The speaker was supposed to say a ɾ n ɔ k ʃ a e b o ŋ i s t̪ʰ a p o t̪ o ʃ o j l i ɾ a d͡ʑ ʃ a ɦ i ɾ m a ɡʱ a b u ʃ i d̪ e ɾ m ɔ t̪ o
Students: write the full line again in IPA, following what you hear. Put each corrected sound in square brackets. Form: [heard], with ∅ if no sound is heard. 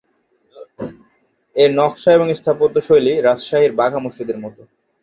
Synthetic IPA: [e] ɾ n ɔ k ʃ a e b o ŋ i s t̪ʰ a p o t̪ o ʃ o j l i ɾ a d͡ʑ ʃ a ɦ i ɾ [b] a ɡʱ a [m] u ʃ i d̪ e ɾ m ɔ t̪ o